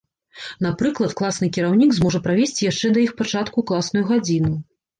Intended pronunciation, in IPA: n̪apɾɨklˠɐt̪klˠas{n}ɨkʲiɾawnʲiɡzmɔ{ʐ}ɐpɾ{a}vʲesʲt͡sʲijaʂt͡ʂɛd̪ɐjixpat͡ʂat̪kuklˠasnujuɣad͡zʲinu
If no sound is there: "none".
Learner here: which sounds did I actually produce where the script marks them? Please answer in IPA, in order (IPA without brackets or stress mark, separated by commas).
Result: n, ʐ, a